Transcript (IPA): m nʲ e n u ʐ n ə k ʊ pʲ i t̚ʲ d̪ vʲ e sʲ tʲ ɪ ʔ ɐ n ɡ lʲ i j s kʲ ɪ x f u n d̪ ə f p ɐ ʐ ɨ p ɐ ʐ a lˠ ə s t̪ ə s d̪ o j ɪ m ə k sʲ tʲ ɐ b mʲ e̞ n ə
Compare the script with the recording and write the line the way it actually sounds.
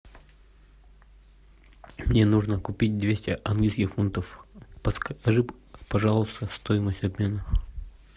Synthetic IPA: m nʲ e n u ʐ n ə k ʊ pʲ i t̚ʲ d̪ vʲ e sʲ tʲ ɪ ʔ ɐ n ɡ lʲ i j s kʲ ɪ x f u n t̪ ə f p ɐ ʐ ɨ p ɐ ʐ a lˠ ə s t̪ ə s t̪ o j ɪ m ə sʲ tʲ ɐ b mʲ e̞ n ə